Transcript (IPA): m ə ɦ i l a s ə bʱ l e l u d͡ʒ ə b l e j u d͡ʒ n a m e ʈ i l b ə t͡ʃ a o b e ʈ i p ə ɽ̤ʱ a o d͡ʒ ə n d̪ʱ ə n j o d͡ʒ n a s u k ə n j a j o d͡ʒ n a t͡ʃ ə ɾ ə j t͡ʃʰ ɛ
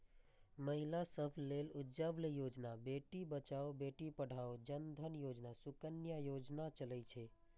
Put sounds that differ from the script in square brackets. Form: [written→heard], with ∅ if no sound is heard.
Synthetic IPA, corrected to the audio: m ə ɦ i l a s ə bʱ l e l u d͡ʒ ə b l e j [u→o] d͡ʒ n a [m→b] e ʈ i [l→∅] b ə t͡ʃ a o b e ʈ i p ə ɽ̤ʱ a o d͡ʒ ə n d̪ʱ ə n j o d͡ʒ n a s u k ə n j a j o d͡ʒ n a t͡ʃ ə [ɾ→l] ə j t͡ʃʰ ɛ